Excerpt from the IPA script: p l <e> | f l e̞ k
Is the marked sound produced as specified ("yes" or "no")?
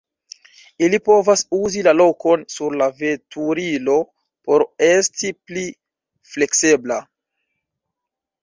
no